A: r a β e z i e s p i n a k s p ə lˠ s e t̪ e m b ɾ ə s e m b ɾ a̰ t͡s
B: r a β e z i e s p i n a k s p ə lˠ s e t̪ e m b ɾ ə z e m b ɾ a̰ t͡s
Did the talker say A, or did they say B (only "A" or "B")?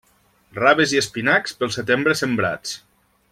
A